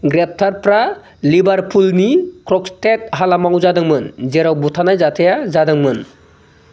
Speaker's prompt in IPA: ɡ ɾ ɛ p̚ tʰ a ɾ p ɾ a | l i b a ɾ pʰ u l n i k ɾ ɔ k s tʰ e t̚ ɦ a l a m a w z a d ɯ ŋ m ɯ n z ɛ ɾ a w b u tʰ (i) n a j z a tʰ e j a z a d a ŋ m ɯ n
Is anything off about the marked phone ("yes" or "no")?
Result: yes